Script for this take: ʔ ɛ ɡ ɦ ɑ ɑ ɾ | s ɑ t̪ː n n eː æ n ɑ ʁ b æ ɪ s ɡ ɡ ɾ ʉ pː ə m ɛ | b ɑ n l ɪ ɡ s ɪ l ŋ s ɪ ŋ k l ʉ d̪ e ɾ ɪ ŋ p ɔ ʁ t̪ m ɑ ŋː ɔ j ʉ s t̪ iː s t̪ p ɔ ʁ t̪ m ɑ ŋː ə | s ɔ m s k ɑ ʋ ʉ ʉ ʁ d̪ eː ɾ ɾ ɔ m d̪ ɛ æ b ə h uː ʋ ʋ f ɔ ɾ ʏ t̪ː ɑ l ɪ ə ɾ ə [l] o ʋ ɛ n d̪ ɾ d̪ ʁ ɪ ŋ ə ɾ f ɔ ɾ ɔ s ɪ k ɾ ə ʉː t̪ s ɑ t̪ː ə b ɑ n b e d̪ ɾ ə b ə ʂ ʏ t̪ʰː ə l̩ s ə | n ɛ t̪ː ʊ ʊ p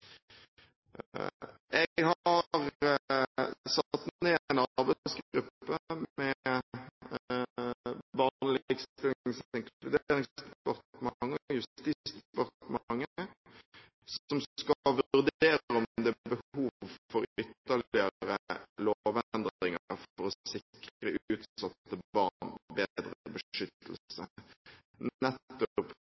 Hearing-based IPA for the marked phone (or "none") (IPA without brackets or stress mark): l